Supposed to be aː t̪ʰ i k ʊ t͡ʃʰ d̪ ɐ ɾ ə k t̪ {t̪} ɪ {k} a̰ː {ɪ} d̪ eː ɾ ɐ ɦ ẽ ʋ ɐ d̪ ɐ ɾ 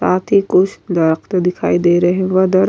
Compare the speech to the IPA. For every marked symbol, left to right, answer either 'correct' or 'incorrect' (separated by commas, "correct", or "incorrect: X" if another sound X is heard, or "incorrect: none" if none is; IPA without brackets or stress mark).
incorrect: d̪, incorrect: kʰ, incorrect: i